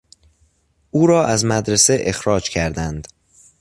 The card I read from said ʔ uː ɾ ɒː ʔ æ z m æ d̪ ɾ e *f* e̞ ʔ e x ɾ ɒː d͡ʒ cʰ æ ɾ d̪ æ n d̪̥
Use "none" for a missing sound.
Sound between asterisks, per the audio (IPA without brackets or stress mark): s